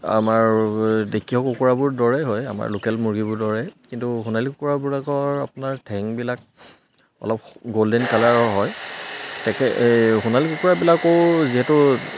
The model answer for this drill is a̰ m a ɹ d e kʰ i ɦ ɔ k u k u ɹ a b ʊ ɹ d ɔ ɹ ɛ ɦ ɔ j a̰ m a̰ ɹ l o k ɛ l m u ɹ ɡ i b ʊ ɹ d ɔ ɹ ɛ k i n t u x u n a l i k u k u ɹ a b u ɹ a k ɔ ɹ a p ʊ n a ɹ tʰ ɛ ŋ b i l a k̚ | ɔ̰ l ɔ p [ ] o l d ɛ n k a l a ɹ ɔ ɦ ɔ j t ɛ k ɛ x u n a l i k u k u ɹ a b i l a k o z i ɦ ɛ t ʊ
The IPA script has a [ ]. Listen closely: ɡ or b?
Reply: ɡ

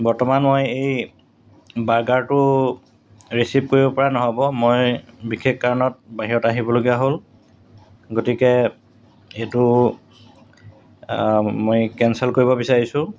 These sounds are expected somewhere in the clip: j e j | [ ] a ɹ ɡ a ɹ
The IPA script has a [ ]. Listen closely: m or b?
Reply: b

